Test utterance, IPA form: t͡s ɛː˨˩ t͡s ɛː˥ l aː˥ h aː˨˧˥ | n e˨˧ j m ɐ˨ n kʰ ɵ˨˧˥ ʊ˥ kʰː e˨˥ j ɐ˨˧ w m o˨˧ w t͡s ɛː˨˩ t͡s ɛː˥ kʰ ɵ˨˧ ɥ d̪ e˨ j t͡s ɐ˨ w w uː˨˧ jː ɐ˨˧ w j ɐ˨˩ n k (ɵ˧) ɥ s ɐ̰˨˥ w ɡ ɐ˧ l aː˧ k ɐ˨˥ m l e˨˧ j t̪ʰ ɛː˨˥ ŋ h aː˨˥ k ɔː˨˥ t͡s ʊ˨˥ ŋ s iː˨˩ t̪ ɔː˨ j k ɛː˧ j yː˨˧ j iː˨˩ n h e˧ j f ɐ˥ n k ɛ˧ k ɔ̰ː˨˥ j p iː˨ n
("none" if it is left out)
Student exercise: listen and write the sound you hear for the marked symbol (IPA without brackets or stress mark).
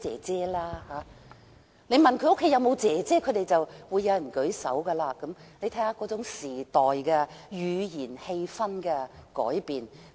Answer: ɵ˨˥